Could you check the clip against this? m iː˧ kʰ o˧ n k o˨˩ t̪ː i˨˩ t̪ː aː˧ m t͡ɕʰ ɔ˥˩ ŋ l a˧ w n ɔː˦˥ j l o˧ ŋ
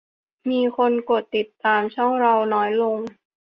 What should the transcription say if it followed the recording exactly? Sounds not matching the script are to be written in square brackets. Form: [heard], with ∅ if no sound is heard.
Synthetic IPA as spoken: m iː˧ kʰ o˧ n k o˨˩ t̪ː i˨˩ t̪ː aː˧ m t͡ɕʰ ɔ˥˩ ŋ [ɾ] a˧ w n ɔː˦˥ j l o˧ ŋ